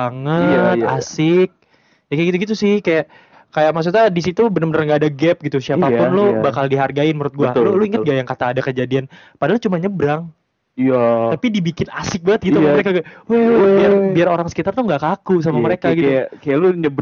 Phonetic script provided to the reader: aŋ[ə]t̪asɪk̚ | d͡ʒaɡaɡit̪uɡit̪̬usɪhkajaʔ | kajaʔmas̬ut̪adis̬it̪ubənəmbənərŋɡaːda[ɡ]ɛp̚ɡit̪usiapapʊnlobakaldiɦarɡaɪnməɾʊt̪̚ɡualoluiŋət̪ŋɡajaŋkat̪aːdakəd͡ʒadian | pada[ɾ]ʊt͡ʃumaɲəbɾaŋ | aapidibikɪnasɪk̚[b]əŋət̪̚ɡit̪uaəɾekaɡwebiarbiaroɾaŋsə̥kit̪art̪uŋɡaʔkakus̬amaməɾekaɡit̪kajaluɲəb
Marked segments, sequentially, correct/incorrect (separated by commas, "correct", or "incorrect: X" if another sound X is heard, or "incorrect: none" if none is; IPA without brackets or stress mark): correct, correct, incorrect: l, correct